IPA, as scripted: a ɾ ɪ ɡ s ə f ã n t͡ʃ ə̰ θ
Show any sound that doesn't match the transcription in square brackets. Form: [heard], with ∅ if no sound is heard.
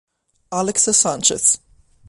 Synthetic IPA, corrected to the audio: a [l] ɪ [k] s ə [s] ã n t͡ʃ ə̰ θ